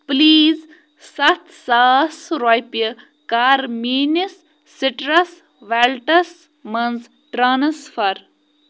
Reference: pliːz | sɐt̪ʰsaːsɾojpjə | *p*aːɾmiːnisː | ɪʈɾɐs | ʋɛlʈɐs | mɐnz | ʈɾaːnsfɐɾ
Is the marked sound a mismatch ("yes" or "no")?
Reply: yes